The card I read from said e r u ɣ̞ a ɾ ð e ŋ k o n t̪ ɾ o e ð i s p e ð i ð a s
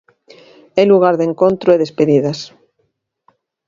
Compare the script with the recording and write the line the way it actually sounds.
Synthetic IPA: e l u ɣ̞ a ɾ ð e ŋ k o n t̪ ɾ o e ð e s p e ð i ð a s